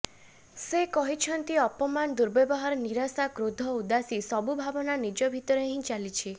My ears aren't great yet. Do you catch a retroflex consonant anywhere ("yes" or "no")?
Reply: no